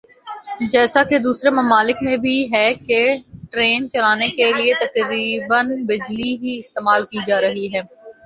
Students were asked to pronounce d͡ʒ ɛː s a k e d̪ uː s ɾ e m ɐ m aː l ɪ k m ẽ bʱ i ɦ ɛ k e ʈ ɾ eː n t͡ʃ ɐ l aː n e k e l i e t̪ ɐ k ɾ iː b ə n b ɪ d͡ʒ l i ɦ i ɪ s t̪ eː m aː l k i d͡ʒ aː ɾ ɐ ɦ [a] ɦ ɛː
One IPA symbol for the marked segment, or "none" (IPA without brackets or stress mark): i